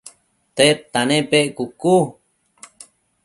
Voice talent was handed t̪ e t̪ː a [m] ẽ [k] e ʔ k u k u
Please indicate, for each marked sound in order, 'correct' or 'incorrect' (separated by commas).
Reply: incorrect, incorrect